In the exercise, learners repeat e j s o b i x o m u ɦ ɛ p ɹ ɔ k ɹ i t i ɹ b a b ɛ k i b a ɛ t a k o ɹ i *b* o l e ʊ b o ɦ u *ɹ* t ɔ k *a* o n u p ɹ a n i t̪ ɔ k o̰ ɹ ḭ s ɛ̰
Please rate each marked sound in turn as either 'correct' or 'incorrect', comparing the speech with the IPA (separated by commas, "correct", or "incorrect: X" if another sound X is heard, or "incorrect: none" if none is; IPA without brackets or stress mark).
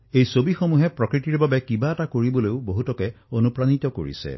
correct, incorrect: none, incorrect: ɛ